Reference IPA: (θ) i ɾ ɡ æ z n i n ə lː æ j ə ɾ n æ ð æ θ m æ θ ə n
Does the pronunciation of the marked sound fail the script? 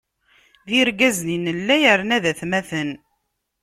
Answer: yes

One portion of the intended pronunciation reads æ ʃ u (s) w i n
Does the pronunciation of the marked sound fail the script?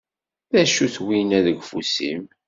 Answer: yes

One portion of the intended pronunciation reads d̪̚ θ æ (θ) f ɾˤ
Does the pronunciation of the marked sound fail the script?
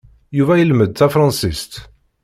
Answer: yes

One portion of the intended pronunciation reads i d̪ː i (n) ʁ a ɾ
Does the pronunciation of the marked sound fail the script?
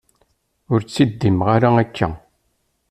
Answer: yes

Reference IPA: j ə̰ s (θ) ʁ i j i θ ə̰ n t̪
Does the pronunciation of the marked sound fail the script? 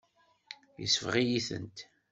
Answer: yes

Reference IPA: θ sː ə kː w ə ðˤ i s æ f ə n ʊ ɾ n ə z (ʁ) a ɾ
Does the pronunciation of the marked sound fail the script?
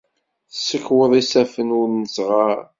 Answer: no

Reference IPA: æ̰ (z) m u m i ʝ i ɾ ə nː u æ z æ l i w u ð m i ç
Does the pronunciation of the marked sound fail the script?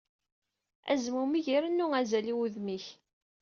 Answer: no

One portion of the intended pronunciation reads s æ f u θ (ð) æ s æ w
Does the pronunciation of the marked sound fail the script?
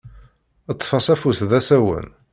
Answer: no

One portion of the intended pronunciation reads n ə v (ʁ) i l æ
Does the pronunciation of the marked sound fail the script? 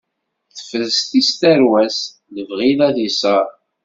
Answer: no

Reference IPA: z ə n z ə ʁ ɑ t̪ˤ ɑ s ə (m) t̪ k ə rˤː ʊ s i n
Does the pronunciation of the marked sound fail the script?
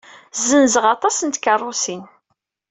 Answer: yes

